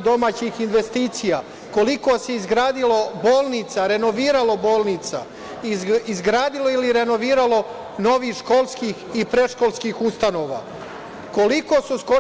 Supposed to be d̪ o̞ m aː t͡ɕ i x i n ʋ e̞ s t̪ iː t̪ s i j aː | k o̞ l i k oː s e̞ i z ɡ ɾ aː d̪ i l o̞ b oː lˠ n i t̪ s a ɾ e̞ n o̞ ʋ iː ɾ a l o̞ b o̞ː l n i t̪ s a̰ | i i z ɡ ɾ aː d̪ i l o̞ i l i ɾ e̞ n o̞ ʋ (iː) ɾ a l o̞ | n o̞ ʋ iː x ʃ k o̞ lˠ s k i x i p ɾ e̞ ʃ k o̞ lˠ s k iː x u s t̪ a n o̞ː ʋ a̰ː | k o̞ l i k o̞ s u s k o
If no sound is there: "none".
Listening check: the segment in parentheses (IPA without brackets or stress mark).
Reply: iː